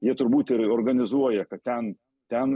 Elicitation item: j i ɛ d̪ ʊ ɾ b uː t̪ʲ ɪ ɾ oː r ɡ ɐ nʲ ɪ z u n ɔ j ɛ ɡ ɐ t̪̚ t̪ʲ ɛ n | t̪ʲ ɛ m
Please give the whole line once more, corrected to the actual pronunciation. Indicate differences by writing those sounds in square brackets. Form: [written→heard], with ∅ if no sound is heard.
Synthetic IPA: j i ɛ [d̪→t̪] ʊ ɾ b uː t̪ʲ ɪ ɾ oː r ɡ ɐ nʲ ɪ z u [n→∅] ɔ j ɛ [ɡ→k] ɐ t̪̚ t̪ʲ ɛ n | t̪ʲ ɛ [m→n]